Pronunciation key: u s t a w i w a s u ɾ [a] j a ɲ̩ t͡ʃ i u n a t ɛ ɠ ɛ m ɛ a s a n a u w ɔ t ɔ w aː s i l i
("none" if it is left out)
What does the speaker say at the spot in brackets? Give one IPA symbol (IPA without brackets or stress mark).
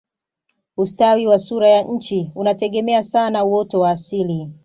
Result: a